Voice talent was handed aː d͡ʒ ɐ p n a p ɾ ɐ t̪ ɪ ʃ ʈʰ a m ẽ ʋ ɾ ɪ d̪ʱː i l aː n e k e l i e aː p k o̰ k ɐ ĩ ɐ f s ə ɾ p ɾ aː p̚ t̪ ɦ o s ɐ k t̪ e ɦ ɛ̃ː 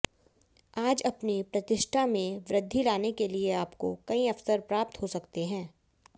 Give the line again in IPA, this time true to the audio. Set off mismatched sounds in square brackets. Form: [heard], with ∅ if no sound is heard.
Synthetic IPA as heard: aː d͡ʒ ɐ p n [i] p ɾ ɐ t̪ ɪ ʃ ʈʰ a m ẽ ʋ ɾ ɪ d̪ʱː i l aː n e k e l i e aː p k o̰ k ɐ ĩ ɐ f s ə ɾ p ɾ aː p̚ t̪ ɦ o s ɐ k t̪ e ɦ ɛ̃ː